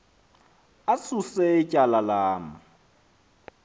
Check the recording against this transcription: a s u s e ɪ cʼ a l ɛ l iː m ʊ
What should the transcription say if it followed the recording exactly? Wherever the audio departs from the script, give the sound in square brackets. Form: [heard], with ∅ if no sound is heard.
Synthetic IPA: a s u s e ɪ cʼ a l [a] l [aː] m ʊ

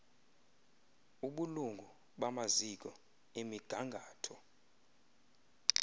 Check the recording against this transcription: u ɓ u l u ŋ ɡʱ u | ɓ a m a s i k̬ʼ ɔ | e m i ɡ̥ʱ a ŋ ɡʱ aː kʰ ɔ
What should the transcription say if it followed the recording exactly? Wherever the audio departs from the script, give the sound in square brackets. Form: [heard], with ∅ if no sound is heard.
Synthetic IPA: u ɓ u l u ŋ ɡʱ u | ɓ a m a [z] i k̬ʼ ɔ | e m i ɡ̥ʱ a ŋ ɡʱ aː [tʰ] ɔ

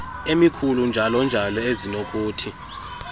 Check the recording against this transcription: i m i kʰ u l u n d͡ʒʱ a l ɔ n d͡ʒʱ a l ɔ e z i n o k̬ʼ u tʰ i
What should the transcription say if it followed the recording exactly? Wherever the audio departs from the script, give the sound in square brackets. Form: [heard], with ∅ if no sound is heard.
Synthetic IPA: [e] m i kʰ u l u n d͡ʒʱ a l ɔ n d͡ʒʱ a l ɔ e z i n o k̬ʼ [uː] tʰ i

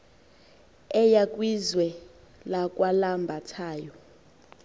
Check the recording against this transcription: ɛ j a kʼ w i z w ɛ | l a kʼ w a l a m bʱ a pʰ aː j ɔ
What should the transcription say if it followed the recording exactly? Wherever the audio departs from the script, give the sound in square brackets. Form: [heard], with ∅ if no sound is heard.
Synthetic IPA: ɛ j a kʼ w i z w ɛ | l a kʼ w a l a m bʱ a [tʰ] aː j ɔ

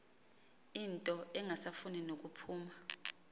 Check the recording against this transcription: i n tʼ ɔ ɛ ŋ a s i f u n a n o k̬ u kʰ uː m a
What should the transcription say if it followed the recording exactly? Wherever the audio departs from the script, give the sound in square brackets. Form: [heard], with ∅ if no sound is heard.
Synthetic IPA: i n tʼ ɔ ɛ ŋ a s [a] f u n [i] n o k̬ u [pʰ] uː m a

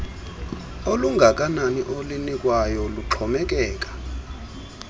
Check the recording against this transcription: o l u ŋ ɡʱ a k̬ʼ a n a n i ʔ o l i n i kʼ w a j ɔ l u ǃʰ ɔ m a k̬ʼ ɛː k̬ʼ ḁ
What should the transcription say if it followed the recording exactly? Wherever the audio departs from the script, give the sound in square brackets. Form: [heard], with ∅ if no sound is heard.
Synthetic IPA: o l u ŋ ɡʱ a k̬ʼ a n a n i ʔ o l i n i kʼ w a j ɔ l u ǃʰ ɔ m [ɛ] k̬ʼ ɛː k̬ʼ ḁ

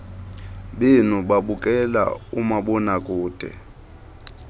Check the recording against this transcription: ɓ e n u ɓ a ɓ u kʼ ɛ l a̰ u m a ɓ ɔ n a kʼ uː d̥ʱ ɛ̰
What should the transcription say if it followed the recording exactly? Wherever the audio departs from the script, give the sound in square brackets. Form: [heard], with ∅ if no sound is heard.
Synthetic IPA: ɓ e n u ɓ a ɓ u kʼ ɛ l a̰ u m a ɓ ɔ n a kʼ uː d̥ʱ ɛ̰

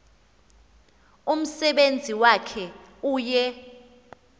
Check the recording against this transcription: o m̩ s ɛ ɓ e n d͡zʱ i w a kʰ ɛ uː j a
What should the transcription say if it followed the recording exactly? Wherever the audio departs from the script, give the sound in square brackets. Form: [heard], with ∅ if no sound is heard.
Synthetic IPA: [u] m̩ s ɛ ɓ e n d͡zʱ i w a kʰ ɛ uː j [ɛ]

